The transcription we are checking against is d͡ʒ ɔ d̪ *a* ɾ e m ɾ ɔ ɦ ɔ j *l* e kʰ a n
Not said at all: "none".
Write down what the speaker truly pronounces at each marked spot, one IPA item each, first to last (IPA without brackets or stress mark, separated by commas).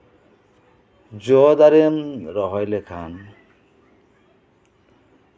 a, l